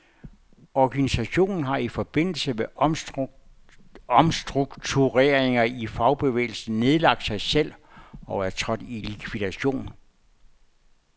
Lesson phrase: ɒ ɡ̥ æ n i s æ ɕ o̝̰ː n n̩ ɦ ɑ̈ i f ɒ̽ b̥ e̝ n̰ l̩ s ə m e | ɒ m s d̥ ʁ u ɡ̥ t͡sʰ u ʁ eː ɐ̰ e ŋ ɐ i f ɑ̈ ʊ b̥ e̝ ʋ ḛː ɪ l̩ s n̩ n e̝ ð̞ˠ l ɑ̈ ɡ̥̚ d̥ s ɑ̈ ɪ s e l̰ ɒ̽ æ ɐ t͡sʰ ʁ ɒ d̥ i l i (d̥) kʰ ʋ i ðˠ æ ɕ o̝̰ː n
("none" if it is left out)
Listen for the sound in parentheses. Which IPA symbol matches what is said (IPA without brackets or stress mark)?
none